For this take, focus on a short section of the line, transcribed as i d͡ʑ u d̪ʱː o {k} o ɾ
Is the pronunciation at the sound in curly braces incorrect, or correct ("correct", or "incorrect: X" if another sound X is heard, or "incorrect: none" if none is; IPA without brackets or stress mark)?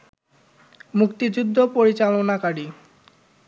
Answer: incorrect: p